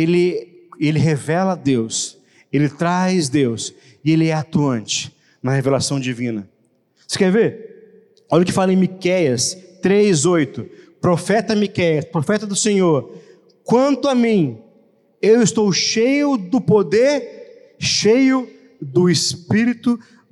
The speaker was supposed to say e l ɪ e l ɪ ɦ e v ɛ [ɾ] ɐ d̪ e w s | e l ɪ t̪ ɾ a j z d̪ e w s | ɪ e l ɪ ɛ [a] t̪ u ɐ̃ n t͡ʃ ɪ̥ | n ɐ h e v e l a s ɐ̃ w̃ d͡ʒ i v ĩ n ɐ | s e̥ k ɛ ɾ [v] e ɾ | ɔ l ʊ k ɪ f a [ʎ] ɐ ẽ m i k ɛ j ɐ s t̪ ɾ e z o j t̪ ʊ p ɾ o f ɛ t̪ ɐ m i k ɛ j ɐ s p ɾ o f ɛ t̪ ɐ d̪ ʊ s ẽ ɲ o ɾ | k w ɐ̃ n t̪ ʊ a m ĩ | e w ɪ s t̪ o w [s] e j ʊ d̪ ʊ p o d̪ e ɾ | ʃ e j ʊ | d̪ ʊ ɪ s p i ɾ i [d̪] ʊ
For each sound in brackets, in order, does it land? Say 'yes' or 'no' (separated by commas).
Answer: no, yes, yes, no, no, no